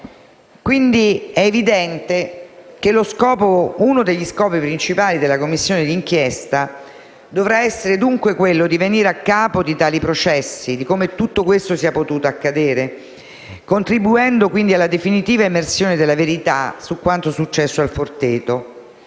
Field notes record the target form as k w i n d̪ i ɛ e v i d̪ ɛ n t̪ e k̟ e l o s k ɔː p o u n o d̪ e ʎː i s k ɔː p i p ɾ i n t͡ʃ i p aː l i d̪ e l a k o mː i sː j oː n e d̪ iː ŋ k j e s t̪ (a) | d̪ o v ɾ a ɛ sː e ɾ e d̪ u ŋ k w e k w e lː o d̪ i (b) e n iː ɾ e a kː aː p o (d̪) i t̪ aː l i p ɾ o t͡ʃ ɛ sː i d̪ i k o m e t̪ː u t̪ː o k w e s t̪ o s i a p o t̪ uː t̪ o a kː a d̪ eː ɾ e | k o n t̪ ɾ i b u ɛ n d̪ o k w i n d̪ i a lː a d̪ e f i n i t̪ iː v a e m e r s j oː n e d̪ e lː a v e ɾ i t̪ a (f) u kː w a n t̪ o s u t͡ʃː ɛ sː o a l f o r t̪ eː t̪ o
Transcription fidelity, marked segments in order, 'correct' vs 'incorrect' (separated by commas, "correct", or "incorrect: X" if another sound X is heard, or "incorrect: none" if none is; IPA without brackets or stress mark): correct, incorrect: v, correct, incorrect: s